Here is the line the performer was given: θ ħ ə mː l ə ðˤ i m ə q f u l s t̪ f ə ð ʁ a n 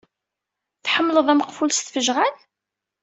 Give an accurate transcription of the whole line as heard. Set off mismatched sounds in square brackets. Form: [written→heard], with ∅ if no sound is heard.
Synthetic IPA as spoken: θ ħ ə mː l ə ðˤ [i→æ] m ə q f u l s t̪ f ə [ð→ʒ] ʁ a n